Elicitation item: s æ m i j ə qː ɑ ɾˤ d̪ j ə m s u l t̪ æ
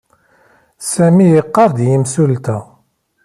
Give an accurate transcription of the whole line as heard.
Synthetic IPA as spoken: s æ m i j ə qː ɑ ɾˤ d̪ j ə m s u l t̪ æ

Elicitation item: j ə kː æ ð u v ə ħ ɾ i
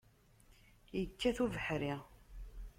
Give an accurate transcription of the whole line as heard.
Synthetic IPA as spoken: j ə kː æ θ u v ə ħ ɾ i

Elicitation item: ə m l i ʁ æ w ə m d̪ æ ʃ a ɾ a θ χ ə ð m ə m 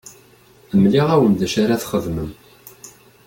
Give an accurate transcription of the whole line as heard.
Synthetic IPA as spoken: ə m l i ʁ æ w ə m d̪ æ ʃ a ɾ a θ χ ə ð m ə m

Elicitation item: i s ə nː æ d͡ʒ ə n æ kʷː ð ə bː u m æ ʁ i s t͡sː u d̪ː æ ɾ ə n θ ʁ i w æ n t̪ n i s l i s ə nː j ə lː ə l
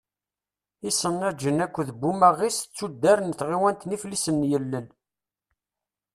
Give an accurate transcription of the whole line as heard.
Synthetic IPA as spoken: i s ə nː æ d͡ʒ ə n æ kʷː ð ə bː u m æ ʁ i s t͡sː u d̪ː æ ɾ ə n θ ʁ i w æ n t̪ n i f l i s ə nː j ə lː ə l

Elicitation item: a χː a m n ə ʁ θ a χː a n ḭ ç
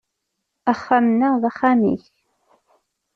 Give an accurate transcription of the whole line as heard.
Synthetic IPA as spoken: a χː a m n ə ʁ ð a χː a m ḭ ç

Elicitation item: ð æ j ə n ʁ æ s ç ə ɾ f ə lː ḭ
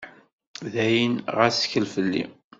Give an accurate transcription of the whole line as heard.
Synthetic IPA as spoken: ð æ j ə n ʁ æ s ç ə l f ə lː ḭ

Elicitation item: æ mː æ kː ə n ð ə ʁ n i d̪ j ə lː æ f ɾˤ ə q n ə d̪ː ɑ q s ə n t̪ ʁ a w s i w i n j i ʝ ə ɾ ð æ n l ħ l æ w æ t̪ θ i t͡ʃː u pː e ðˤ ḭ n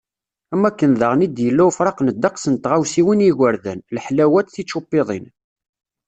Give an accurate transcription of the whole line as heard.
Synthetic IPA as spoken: æ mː æ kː ə n ð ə ʁ n i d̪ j ə lː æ f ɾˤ ɑ q n ə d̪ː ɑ q s ə n t̪ ʁ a w s i w i n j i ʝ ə ɾ ð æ n l ħ l æ w æ t̪ θ i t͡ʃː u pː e ðˤ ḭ n

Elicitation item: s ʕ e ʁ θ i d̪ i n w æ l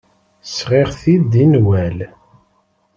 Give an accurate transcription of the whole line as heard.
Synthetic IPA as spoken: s ʁ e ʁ θ i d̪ i n w æ l

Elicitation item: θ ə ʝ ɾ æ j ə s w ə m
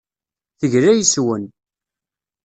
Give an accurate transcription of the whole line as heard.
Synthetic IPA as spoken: θ ə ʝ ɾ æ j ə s w ə n

